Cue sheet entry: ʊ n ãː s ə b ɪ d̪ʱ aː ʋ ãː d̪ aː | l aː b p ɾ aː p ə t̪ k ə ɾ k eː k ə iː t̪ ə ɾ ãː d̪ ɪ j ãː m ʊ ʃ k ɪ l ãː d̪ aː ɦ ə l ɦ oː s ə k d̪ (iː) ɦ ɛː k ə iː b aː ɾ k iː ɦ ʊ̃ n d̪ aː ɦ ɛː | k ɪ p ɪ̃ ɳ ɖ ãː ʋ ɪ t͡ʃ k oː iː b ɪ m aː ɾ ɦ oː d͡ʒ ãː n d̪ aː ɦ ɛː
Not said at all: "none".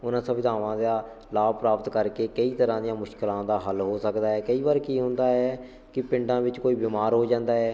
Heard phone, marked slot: aː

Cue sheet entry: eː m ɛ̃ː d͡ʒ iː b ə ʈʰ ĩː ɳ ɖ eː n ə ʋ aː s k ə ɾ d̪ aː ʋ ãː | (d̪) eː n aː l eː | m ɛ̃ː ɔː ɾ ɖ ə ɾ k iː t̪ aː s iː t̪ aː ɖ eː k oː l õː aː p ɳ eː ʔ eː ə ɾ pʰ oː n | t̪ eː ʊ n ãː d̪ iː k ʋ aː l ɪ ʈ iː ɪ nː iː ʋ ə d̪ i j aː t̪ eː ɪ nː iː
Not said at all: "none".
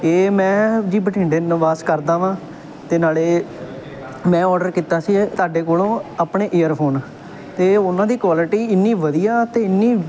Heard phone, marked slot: t̪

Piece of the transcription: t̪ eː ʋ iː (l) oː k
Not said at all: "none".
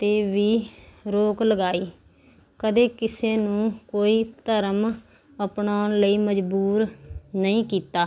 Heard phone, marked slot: ɾ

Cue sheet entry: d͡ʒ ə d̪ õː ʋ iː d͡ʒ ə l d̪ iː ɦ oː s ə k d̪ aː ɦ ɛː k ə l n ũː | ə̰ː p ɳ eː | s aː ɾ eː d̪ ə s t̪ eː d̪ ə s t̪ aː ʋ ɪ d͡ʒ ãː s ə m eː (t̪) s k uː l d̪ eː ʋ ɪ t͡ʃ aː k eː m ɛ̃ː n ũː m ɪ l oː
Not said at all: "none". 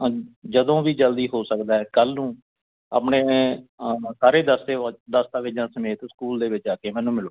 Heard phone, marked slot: t̪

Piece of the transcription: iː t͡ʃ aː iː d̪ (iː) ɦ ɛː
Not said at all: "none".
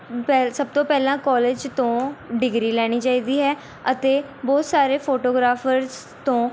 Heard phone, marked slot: iː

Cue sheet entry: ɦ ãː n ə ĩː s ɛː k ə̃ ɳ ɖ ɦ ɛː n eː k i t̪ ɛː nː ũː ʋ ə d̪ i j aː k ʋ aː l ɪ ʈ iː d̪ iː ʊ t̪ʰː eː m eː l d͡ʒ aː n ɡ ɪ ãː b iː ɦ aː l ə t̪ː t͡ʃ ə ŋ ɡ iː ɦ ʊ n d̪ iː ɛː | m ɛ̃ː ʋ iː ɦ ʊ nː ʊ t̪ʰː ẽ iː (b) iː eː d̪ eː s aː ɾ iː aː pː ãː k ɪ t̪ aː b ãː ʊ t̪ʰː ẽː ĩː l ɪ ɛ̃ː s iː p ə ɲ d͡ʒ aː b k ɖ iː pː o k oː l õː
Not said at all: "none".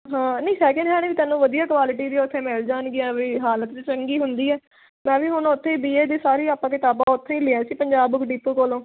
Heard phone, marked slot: b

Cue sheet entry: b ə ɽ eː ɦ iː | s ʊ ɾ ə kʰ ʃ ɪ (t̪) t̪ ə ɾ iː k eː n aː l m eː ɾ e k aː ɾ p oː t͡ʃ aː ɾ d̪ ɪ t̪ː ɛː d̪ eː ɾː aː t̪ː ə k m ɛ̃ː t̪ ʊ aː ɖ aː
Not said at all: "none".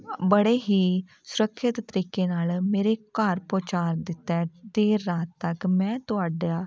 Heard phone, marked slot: t̪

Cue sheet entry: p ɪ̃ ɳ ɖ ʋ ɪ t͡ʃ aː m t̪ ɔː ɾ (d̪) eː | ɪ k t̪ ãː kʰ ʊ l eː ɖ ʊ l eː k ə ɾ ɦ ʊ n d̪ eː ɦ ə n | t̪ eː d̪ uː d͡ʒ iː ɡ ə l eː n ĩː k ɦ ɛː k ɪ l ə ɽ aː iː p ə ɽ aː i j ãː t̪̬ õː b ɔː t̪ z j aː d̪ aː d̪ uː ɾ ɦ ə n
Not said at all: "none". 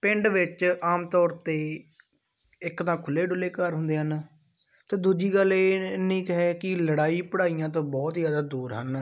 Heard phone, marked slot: t̪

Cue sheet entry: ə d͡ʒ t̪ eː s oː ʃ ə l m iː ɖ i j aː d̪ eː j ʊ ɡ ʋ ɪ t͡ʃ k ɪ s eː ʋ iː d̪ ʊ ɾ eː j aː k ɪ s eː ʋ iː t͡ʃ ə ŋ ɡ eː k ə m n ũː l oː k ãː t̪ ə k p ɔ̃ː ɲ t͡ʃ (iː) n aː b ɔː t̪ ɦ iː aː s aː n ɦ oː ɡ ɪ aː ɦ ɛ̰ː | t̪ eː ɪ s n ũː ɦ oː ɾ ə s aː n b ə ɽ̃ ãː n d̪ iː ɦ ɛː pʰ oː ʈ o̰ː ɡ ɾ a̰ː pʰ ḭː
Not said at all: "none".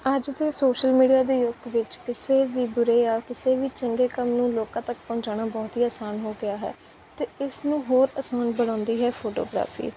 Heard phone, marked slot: aː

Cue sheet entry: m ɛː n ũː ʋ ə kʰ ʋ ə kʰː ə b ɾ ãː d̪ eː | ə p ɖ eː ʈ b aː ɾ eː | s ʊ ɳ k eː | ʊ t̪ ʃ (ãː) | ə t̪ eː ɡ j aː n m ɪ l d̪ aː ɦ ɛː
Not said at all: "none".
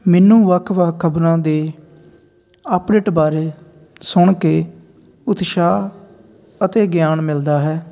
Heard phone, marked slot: aː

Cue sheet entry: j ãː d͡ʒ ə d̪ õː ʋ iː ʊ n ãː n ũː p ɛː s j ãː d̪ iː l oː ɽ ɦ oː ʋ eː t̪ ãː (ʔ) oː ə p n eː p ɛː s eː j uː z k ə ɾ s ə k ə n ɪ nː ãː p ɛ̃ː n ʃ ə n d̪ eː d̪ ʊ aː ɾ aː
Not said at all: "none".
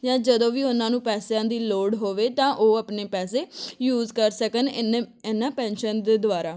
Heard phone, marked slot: ʔ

